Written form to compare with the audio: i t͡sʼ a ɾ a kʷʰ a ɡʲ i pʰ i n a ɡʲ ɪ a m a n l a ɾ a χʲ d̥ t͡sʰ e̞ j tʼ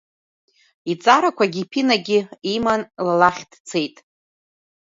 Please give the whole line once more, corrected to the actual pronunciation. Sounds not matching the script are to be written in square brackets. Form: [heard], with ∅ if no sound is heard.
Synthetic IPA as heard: i t͡sʼ a ɾ a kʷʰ a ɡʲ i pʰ i n a ɡʲ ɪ [i] m a n l a [l] a χʲ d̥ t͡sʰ e̞ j tʼ